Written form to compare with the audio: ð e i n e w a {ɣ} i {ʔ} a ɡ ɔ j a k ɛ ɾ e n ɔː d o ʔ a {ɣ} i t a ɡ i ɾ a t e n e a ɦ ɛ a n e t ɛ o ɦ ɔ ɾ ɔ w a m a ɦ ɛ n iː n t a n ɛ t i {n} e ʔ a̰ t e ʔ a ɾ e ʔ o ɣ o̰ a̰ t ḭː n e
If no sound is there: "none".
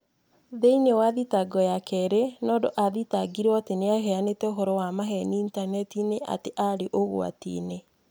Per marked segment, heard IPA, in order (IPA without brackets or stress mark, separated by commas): ð, t, ð, n